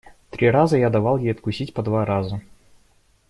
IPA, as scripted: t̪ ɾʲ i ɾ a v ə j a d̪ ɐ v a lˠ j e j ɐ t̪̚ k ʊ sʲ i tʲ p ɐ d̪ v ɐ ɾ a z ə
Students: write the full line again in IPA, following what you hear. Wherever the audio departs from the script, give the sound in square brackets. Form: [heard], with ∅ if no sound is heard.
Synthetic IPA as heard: t̪ ɾʲ i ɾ a [z] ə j a d̪ ɐ v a lˠ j e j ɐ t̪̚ k ʊ sʲ i tʲ p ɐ d̪ v [a] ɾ a z ə